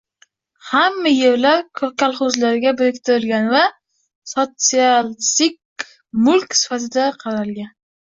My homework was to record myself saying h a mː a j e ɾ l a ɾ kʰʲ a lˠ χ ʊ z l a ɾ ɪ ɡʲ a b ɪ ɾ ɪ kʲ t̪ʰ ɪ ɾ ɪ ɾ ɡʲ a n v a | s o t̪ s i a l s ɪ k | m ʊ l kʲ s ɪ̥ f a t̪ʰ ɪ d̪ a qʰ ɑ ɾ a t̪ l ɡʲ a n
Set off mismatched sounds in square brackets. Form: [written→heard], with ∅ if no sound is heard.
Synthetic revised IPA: h a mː a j e ɾ l a ɾ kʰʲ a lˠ χ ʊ z l a ɾ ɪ ɡʲ a b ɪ ɾ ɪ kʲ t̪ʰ ɪ ɾ ɪ [ɾ→l] ɡʲ a n v a | s o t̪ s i a l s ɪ k | m ʊ l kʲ s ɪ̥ f a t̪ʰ ɪ d̪ a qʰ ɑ ɾ a [t̪→∅] l ɡʲ a n